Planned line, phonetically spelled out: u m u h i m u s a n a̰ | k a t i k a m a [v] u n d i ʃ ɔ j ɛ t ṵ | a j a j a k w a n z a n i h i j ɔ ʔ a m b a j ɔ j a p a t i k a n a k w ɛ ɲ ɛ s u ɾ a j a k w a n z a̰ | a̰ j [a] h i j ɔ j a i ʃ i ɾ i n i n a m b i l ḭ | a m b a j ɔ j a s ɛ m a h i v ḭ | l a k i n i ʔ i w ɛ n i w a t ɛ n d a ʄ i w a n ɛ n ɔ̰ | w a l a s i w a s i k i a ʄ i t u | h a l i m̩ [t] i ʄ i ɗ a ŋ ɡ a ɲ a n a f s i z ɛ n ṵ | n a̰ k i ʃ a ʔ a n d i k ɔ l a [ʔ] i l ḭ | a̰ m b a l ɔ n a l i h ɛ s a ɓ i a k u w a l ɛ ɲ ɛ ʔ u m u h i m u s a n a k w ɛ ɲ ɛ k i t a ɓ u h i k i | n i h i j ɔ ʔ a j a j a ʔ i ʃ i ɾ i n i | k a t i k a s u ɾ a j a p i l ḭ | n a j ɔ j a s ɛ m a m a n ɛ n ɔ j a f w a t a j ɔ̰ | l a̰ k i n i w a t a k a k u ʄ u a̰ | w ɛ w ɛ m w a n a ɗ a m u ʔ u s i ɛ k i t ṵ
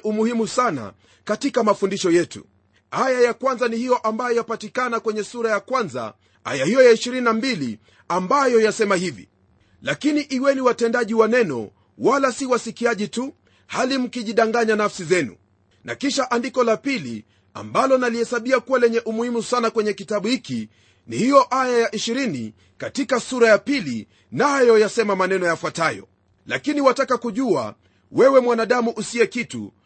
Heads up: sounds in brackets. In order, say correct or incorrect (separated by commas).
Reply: incorrect, correct, incorrect, incorrect